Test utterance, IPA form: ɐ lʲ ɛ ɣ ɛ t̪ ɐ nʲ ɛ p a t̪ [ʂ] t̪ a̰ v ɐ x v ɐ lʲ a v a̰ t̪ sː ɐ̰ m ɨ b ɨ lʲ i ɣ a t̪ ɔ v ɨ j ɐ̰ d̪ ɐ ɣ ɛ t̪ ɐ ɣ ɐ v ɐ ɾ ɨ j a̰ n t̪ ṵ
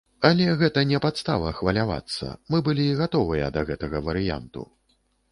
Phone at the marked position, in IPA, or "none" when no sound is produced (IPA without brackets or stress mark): s